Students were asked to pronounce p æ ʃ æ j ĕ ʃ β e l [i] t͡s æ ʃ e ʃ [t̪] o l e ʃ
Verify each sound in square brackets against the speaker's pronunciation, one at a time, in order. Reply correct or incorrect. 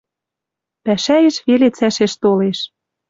incorrect: e, correct

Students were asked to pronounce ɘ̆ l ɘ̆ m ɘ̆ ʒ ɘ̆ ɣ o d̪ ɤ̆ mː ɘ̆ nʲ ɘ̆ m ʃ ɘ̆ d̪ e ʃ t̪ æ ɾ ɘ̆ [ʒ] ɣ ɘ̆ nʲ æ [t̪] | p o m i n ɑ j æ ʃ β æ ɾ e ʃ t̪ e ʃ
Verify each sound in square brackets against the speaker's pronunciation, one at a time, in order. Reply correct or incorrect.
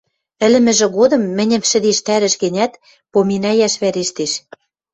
incorrect: ʃ, correct

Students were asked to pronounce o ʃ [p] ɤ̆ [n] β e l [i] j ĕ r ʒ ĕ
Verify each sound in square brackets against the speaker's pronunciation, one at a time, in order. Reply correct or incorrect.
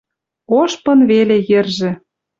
correct, correct, incorrect: e

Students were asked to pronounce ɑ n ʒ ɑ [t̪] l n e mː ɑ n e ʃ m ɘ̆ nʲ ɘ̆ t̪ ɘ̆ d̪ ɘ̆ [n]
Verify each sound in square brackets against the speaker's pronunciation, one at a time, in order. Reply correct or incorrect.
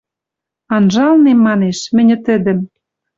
incorrect: none, incorrect: m

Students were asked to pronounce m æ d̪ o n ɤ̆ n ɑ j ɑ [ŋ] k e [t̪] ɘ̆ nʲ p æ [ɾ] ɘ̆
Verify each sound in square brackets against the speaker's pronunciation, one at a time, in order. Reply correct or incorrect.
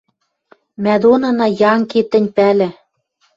correct, correct, incorrect: l

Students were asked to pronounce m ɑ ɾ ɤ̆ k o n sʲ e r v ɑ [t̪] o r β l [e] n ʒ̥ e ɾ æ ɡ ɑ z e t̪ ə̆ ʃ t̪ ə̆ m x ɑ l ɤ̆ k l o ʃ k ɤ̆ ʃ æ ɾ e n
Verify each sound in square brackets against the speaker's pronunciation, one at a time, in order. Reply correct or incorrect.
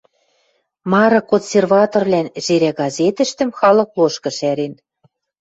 correct, incorrect: æ

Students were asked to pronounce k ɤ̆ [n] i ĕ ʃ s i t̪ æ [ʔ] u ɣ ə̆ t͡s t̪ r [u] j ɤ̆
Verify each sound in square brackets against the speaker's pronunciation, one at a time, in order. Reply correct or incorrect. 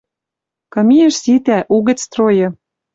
incorrect: m, correct, incorrect: o

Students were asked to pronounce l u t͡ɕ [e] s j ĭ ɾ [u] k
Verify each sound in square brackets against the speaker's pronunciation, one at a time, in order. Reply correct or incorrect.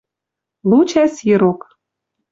incorrect: æ, incorrect: o

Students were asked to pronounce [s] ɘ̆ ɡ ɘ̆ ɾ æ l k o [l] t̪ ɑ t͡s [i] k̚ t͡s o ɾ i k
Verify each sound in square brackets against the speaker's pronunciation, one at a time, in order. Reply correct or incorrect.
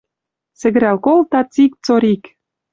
correct, correct, correct

